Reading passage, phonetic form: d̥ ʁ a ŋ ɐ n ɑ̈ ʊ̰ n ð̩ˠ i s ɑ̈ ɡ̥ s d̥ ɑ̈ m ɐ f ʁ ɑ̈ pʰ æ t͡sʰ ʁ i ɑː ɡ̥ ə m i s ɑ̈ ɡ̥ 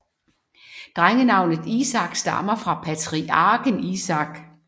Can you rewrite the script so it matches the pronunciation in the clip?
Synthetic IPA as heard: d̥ ʁ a ŋ ə n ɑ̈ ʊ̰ n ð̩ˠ i s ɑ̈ ɡ̥ s d̥ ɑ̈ m ɐ f ʁ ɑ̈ pʰ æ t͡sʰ ʁ i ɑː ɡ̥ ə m i s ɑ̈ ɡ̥